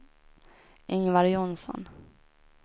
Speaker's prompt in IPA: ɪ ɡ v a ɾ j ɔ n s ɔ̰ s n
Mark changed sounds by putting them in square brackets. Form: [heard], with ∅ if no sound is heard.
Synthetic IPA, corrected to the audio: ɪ [ŋ] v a ɾ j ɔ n s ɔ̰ [∅] n